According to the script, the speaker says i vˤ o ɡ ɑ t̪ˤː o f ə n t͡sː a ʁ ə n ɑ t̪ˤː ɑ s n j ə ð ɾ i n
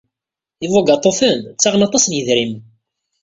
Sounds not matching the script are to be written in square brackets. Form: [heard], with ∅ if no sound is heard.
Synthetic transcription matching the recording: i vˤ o ɡ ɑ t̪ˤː o f ə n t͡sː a ʁ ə n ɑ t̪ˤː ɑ s n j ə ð ɾ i [m]